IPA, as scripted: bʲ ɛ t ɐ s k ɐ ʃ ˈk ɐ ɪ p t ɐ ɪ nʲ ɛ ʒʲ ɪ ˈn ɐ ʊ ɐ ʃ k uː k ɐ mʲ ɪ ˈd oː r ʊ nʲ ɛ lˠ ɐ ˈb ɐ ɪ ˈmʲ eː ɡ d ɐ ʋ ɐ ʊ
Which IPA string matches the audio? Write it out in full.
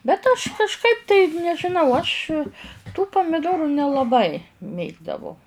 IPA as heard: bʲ ɛ t ɐ ʃ k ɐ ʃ ˈk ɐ ɪ p t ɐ ɪ nʲ ɛ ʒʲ ɪ ˈn ɐ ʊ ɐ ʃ t uː p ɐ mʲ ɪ ˈd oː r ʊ nʲ ɛ lˠ ɐ ˈb ɐ ɪ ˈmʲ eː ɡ d ɐ ʋ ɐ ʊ